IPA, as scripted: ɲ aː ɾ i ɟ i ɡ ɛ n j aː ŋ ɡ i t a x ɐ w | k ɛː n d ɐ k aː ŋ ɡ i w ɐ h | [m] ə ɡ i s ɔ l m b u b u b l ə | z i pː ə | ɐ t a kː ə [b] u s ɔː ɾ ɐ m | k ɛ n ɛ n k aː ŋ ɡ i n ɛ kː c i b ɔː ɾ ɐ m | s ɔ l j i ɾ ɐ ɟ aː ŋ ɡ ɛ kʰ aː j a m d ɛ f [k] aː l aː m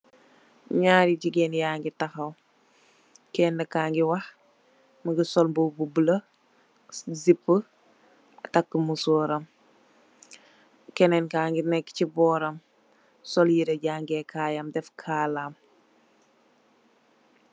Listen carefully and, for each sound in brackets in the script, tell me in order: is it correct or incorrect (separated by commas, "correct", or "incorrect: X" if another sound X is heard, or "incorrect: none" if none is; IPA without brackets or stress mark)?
correct, incorrect: m, incorrect: kʰ